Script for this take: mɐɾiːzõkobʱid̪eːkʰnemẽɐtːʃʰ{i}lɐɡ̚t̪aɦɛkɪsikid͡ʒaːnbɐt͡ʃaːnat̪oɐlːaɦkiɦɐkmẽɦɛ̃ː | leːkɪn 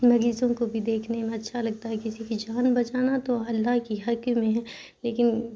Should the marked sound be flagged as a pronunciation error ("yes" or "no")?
yes